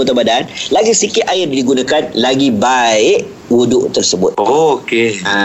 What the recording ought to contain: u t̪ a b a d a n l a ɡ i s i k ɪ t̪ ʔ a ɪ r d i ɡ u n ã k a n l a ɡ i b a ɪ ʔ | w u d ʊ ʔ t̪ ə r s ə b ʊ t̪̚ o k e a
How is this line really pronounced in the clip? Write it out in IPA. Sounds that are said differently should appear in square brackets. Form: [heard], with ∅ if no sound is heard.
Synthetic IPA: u t̪ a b a d a n l a ɡ i s i k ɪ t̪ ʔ a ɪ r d i ɡ u n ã k a n l a ɡ i b a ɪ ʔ | w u d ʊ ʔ t̪ ə r s ə b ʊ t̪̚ o k e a